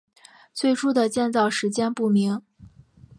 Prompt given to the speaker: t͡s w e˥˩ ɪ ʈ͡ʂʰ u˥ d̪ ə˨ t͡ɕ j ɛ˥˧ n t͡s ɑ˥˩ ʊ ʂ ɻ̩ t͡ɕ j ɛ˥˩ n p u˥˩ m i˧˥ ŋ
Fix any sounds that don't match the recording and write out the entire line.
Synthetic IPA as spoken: t͡s w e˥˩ ɪ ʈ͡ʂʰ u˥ d̪ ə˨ t͡ɕ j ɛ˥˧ n t͡s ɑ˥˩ ʊ ʂ ɻ̩ t͡ɕ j ɛ˥ n p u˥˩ m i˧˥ ŋ